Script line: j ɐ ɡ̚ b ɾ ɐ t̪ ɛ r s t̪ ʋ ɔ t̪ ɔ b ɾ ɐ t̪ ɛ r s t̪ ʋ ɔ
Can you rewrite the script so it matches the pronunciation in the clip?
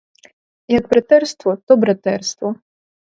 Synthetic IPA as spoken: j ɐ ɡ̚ b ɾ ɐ t̪ ɛ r s t̪ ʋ ɔ t̪ ɔ b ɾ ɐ t̪ ɛ r s t̪ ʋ ɔ